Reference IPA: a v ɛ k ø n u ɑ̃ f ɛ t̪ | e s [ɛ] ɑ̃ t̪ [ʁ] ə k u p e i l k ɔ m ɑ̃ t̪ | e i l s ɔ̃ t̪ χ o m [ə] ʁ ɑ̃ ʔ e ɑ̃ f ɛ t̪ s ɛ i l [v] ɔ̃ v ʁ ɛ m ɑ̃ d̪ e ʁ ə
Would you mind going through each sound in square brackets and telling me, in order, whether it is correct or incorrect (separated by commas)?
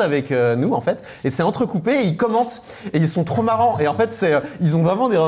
correct, incorrect, incorrect, incorrect